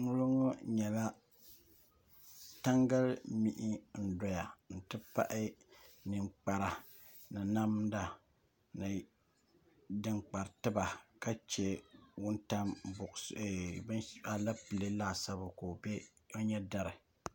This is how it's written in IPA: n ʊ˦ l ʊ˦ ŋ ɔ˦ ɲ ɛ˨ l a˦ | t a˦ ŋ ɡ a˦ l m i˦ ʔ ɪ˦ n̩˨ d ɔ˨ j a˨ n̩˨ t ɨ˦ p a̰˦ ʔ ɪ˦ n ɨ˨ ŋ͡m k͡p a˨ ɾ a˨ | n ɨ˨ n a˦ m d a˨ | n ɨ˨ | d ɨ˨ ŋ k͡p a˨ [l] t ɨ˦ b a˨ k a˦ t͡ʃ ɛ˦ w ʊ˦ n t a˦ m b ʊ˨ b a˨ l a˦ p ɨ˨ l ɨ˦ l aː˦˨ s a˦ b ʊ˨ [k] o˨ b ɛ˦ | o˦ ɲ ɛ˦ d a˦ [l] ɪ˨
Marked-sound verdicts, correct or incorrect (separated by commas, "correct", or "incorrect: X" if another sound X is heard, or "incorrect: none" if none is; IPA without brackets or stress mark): incorrect: ɾ, correct, incorrect: ɾ